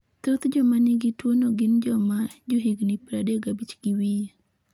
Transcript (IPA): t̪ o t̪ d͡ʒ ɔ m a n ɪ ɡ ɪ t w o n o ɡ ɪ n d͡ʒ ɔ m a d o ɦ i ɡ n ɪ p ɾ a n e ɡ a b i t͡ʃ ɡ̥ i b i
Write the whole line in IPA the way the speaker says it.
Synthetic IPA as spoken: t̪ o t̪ d͡ʒ ɔ m a n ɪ ɡ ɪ t w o n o ɡ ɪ n d͡ʒ ɔ m a d͡ʒ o ɦ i ɡ n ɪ p ɾ a d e ɡ a b i t͡ʃ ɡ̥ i w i